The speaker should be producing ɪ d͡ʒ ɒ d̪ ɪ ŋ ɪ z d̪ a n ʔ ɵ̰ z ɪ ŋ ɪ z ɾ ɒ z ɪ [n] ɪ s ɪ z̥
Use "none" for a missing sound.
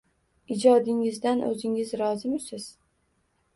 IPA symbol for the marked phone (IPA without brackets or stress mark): m